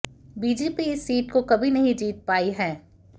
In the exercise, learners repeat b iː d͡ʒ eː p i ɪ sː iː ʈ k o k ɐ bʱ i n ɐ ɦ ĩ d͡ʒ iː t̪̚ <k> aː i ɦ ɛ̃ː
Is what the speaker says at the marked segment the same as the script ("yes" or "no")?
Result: no